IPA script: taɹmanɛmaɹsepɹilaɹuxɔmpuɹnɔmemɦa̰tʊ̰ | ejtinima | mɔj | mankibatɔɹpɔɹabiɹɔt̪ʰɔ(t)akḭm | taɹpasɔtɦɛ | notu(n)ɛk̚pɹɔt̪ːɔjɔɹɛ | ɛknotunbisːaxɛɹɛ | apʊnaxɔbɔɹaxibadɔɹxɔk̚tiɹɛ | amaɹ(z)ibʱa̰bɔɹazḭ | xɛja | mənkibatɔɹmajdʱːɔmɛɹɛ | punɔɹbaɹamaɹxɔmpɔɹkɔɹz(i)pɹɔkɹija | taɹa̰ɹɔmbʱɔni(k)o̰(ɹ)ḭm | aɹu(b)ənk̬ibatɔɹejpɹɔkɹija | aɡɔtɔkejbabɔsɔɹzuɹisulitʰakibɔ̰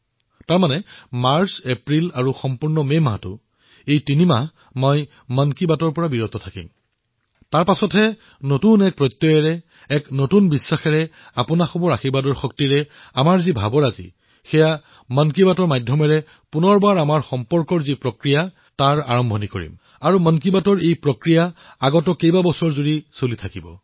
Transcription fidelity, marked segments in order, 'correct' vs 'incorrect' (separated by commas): incorrect, correct, correct, correct, correct, correct, incorrect